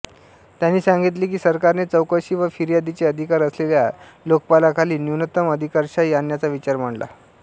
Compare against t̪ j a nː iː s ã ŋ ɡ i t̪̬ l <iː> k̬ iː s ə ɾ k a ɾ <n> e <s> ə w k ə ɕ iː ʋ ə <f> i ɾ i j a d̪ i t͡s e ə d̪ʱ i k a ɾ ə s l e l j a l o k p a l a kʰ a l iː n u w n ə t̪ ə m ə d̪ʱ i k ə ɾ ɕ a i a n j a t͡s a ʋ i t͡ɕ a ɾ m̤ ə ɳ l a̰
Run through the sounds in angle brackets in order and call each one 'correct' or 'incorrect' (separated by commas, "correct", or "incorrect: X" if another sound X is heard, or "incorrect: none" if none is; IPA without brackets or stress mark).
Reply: correct, correct, incorrect: t͡s, correct